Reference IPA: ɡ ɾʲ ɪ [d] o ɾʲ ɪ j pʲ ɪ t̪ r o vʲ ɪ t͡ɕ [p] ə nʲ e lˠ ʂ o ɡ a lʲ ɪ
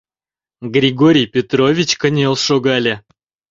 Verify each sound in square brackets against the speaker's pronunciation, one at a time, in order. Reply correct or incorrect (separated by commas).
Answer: incorrect, incorrect